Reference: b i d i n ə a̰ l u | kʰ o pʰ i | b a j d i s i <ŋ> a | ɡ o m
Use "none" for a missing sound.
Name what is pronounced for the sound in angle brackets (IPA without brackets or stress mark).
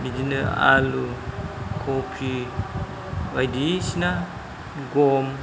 n